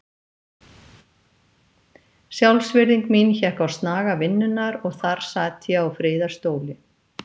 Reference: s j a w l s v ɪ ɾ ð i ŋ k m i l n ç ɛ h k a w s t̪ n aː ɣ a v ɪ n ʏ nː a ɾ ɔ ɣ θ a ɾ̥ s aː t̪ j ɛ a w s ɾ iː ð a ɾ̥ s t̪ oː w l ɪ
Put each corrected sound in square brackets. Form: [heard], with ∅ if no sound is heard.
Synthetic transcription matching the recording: s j a w l s v ɪ ɾ ð i ŋ k m i [∅] n ç ɛ h k a w s t̪ n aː ɣ a v ɪ [nː] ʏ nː a ɾ ɔ ɣ θ a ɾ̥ s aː t̪ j ɛ a w [f] ɾ [ɪː] ð a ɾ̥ s t̪ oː w l ɪ

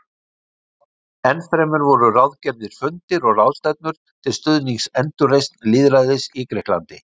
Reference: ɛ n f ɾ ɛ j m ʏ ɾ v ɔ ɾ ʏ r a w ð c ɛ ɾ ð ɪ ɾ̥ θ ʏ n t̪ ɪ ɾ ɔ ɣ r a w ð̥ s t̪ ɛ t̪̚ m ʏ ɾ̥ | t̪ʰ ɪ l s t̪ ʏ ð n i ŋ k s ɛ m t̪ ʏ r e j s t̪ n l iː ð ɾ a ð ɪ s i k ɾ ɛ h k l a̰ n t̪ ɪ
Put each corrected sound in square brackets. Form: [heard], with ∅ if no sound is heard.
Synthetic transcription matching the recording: ɛ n f ɾ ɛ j m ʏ ɾ v ɔ ɾ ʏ r a w ð c ɛ ɾ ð ɪ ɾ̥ [f] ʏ n t̪ ɪ ɾ ɔ ɣ r a w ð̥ s t̪ ɛ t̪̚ [n] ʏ ɾ̥ | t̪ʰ ɪ l s t̪ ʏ ð n i ŋ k s ɛ [n] t̪ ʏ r e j s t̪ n l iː ð ɾ a ð ɪ s i k ɾ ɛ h k l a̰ n t̪ ɪ

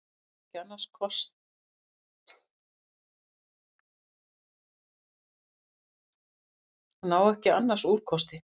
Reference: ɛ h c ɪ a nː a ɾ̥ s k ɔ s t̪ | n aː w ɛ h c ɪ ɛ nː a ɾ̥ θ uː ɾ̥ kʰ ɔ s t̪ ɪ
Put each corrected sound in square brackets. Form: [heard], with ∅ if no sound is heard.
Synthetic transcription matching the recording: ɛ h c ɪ a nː a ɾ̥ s [kʰ] ɔ s t̪ | n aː w ɛ h c ɪ [a] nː a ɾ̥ [s] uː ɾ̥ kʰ ɔ s t̪ ɪ

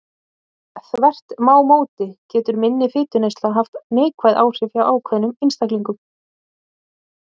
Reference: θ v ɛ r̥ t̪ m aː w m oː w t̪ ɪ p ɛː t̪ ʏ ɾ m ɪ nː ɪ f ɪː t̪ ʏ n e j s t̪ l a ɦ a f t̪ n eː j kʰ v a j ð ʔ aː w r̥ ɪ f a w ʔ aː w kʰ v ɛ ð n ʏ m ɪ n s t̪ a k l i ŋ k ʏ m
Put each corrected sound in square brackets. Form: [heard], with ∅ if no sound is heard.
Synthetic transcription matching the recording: θ v ɛ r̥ t̪ m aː w m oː w t̪ ɪ [c] ɛː t̪ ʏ ɾ m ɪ nː ɪ f ɪː t̪ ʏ n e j s t̪ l a ɦ a f t̪ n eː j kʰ v a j ð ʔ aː w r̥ ɪ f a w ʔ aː w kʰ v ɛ ð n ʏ m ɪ n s t̪ a k l i ŋ k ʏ m

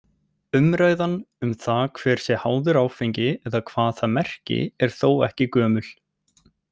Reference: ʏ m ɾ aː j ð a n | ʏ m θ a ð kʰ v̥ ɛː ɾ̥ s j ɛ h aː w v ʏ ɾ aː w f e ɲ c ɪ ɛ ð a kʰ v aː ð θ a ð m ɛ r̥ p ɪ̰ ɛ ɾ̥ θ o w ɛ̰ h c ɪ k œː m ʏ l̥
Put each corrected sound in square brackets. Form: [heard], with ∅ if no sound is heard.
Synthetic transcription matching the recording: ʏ m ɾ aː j ð a n | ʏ m θ a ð kʰ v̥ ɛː ɾ̥ s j ɛ h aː w [ð] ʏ ɾ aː w f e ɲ c ɪ ɛ ð a kʰ v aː ð θ a ð m ɛ r̥ [c] ɪ̰ ɛ ɾ̥ θ o w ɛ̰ h c ɪ k œː m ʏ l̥

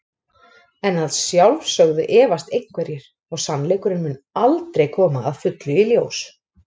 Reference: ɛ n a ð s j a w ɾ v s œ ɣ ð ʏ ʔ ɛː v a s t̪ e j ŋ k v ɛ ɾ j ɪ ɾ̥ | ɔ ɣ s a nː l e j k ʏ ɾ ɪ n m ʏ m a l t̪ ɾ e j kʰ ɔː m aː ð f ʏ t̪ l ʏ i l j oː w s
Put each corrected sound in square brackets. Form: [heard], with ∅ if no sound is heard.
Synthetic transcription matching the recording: ɛ n a ð s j a w [l] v s œ ɣ ð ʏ ʔ ɛː v a s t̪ e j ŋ k v ɛ ɾ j ɪ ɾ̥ | ɔ ɣ s a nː l e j k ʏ ɾ ɪ n m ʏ [n] a l t̪ ɾ e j kʰ ɔː m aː ð f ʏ t̪ l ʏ i l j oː w s

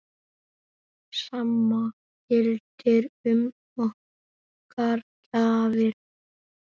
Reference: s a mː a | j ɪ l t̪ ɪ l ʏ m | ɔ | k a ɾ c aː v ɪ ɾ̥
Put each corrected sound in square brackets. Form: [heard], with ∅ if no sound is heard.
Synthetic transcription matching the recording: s a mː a | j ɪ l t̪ ɪ [ɾ] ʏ m | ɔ | k a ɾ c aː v ɪ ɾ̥

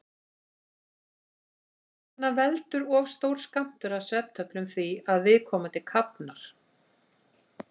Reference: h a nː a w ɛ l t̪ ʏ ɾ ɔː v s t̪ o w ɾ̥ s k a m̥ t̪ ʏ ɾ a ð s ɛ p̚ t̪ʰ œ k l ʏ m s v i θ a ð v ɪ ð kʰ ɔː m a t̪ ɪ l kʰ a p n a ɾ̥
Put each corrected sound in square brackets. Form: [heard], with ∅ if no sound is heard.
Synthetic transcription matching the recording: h a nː a [v] ɛ l t̪ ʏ ɾ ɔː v s t̪ o w ɾ̥ s k a m̥ t̪ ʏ ɾ a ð s ɛ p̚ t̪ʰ œ [p] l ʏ m [θ] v i [∅] a ð v ɪ ð kʰ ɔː m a t̪ ɪ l kʰ a p n a ɾ̥

